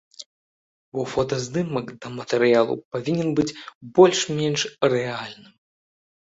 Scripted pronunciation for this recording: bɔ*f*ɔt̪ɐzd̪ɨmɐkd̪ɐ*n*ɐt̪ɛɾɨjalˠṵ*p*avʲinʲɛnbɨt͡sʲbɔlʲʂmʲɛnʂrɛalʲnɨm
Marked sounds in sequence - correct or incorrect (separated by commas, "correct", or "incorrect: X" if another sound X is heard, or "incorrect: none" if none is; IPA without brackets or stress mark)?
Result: correct, incorrect: m, correct